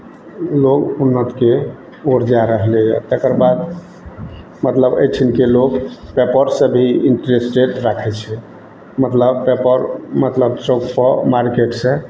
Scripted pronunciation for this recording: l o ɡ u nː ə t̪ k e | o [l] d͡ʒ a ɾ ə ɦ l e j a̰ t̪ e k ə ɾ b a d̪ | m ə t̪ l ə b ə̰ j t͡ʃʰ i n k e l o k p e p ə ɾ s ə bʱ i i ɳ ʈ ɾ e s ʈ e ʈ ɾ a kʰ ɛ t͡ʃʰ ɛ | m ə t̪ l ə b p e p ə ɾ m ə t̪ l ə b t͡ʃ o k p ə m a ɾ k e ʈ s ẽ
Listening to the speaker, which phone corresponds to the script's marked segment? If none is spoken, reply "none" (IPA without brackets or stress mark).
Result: ɾ